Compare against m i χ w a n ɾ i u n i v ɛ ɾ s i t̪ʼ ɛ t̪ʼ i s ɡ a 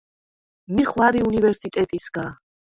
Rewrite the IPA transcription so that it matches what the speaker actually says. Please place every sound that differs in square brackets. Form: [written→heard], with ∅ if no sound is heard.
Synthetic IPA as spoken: m i χ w a [n→∅] ɾ i u n i v ɛ ɾ s i t̪ʼ ɛ t̪ʼ i s ɡ a

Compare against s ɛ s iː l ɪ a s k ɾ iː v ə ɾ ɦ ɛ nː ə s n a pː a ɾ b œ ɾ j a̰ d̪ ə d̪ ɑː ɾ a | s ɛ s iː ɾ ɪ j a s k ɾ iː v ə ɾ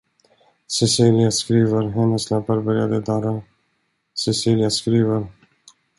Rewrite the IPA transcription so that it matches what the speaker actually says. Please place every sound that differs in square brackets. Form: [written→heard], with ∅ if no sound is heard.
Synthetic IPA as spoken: s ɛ s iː l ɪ a s k ɾ iː v ə ɾ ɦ ɛ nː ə s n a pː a ɾ b œ ɾ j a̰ d̪ ə d̪ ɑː ɾ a | s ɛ s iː [ɾ→l] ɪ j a s k ɾ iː v ə ɾ

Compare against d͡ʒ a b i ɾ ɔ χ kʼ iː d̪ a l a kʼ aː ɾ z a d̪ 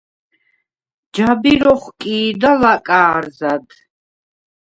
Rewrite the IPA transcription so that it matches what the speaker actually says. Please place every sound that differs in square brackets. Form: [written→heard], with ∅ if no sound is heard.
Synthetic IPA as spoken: d͡ʒ a b i ɾ ɔ χ kʼ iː d̪ a l a kʼ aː ɾ z a d̪

